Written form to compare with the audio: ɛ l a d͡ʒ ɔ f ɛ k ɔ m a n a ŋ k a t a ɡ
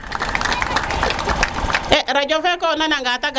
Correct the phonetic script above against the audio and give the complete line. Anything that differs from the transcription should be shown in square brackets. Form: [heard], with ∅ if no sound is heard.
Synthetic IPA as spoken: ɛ [ɾ] a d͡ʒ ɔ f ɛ k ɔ [n] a n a ŋ [ɡ] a t a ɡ